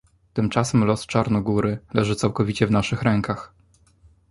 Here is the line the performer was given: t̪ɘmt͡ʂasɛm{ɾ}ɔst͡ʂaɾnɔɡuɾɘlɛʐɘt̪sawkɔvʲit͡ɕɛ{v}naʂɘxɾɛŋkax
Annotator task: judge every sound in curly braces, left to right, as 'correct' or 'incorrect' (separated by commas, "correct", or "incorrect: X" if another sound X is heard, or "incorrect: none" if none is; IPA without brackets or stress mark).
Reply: incorrect: l, correct